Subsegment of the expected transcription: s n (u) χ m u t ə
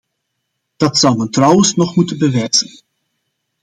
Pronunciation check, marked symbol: incorrect: ɔ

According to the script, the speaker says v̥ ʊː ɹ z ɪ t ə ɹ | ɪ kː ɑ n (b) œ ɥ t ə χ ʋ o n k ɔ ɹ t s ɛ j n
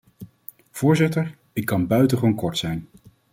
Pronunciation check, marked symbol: correct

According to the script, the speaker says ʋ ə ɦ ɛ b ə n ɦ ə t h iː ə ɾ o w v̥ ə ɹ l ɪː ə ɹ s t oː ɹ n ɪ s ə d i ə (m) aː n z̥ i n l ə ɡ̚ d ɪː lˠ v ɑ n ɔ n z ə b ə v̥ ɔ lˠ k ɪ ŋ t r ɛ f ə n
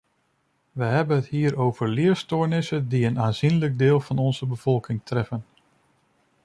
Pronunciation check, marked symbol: incorrect: n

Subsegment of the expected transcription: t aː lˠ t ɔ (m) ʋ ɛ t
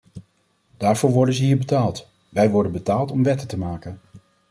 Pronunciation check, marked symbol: correct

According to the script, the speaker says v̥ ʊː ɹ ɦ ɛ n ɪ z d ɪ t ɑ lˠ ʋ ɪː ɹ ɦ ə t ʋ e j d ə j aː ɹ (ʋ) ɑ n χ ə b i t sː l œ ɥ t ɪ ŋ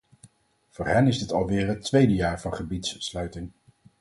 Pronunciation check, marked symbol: incorrect: v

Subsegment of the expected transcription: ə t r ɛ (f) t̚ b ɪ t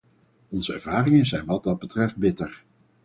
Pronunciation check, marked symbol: correct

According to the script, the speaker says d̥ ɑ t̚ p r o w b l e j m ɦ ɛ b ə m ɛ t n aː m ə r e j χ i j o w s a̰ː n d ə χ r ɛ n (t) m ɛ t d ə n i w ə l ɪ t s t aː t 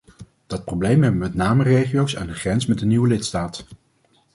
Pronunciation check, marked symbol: incorrect: s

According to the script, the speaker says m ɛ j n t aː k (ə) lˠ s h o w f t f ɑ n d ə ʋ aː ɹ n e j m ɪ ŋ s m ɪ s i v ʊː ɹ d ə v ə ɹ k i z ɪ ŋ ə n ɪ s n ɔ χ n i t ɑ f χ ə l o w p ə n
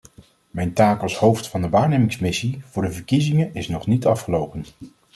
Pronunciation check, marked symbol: incorrect: ɑ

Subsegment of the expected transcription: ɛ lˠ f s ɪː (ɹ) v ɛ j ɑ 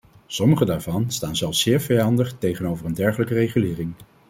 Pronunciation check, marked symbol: correct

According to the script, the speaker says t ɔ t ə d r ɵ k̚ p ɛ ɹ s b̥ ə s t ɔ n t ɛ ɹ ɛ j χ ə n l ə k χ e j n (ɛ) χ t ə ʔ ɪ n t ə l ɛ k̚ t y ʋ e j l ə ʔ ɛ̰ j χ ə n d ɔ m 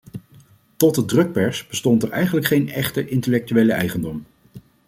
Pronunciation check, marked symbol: correct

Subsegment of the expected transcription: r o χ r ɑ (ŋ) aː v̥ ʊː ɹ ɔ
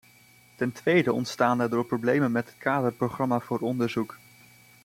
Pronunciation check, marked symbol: incorrect: m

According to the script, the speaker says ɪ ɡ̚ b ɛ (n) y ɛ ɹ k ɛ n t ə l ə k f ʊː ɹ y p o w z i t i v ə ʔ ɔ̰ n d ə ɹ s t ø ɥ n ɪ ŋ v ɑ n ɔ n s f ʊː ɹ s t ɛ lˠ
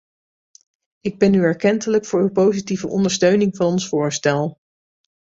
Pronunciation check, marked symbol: correct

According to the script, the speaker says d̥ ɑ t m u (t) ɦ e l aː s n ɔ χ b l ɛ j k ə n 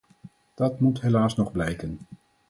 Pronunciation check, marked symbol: correct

